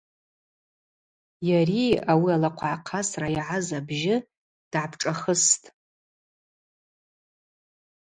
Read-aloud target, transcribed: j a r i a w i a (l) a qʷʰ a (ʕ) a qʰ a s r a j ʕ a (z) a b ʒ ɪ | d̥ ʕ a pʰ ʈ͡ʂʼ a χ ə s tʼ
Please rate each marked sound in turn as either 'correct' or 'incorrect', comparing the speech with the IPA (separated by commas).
correct, correct, correct